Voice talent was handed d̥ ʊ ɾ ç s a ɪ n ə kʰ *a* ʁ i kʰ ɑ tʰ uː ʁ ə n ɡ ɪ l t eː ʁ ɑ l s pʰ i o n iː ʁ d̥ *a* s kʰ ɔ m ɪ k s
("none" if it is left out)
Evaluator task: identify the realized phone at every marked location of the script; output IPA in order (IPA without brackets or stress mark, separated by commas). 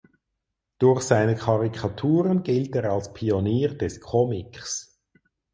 ɑ, ɛ